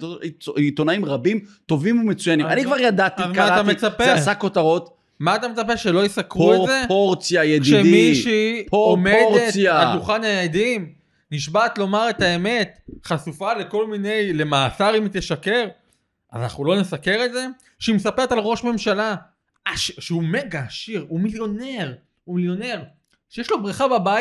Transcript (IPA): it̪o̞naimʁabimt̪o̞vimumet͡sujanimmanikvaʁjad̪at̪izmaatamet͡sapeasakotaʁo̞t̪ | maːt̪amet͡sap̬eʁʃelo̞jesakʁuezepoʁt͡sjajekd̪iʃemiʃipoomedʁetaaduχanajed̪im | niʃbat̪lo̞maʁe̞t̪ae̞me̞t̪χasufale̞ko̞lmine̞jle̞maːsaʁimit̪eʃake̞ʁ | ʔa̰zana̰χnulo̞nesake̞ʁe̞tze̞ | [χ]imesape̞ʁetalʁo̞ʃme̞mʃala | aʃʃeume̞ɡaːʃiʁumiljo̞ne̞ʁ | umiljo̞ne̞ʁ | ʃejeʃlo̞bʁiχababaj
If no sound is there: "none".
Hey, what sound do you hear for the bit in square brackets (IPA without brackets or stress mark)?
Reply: ʃ